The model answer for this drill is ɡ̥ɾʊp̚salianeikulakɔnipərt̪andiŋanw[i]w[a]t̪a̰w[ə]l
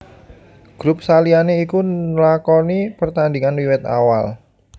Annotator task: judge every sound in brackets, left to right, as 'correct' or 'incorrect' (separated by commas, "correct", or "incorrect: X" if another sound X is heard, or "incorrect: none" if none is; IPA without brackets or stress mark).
correct, incorrect: ɛ, incorrect: a